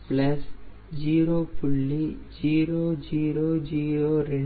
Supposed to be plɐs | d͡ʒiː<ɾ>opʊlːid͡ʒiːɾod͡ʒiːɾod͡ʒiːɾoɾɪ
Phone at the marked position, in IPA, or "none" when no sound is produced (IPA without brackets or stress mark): ɾ